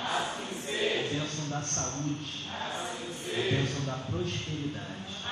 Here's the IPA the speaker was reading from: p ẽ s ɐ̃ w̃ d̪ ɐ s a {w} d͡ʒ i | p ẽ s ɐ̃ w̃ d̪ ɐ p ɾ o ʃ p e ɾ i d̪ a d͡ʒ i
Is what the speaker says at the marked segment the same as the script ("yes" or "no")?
no